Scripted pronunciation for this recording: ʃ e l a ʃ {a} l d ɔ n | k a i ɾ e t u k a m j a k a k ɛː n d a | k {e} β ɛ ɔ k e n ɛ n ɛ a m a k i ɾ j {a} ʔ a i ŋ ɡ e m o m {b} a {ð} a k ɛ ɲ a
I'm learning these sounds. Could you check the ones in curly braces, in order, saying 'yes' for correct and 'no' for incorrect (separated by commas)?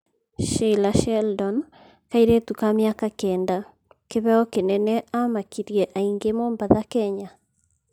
no, yes, no, yes, yes